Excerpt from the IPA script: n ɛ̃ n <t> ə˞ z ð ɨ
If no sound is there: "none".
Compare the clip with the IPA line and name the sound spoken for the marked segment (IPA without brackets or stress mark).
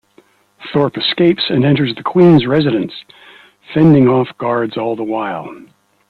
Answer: t